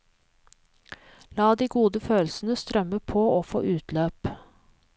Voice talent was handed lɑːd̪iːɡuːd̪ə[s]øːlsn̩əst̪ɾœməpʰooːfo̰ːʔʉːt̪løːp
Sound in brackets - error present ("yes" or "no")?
yes